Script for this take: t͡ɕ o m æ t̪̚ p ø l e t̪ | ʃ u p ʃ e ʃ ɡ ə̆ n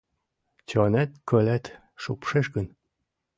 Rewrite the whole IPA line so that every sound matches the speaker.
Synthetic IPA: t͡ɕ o n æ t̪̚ k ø l æ t̪ | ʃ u p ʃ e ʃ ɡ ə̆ n